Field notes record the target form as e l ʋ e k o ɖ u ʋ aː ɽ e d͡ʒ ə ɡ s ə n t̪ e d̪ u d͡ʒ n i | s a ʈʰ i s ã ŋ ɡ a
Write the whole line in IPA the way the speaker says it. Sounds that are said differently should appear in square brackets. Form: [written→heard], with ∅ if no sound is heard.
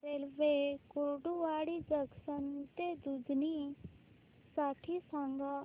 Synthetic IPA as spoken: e l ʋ e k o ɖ u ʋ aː ɽ [e→i] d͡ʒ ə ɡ s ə n t̪ e d̪ u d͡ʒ n i | s a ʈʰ i s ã ŋ ɡ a